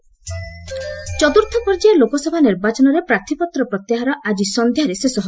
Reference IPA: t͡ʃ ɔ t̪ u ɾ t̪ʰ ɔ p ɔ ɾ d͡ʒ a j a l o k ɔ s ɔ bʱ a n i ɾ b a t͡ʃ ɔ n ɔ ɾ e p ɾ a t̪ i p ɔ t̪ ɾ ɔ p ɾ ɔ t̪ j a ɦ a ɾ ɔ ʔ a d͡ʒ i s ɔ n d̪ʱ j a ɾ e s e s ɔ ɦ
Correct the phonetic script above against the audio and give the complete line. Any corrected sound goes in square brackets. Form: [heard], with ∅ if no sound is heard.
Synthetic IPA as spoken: t͡ʃ ɔ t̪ u ɾ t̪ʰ ɔ p ɔ ɾ d͡ʒ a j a l o k ɔ s ɔ bʱ a n i ɾ b a t͡ʃ ɔ n ɔ ɾ e p ɾ a [t̪ʰ] i p ɔ t̪ ɾ ɔ p ɾ ɔ t̪ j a ɦ a ɾ ɔ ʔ a d͡ʒ i s ɔ n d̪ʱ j a ɾ e s e s ɔ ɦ